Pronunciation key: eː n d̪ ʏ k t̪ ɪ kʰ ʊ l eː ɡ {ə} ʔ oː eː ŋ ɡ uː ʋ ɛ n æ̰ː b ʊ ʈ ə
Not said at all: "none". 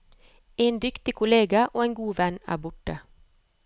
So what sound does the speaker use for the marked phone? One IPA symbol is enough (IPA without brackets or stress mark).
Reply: ɑ